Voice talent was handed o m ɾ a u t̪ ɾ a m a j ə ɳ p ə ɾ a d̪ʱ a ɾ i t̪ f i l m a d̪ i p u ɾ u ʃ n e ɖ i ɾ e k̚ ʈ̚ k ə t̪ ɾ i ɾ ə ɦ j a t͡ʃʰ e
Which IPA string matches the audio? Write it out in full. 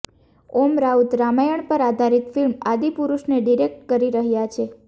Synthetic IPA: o m ɾ a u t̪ ɾ a m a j ə ɳ p ə ɾ a d̪ʱ a ɾ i t̪ f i l m a d̪ i p u ɾ u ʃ n e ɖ i ɾ e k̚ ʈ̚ k ə ɾ i ɾ ə ɦ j a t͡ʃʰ e